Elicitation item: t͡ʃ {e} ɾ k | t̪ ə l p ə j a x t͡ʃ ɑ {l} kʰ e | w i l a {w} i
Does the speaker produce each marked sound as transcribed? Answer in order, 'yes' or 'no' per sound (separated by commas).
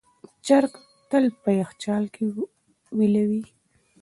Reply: no, yes, yes